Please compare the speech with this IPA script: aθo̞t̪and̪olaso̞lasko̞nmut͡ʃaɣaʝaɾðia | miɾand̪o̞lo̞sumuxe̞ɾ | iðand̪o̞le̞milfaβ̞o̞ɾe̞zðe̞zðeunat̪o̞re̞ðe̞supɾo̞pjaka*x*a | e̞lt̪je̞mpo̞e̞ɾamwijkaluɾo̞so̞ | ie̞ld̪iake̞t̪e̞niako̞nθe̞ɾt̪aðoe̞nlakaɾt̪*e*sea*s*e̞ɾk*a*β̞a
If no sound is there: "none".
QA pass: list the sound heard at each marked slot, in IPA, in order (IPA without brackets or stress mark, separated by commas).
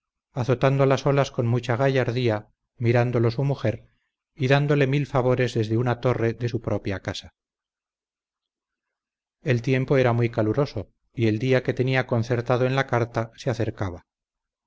s, a, θ, a